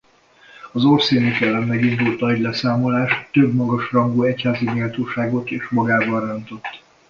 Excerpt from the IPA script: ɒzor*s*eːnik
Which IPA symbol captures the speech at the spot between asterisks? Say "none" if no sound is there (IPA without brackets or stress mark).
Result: s